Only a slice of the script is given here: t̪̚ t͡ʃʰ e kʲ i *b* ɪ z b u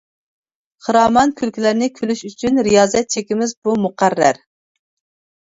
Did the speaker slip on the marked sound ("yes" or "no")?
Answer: yes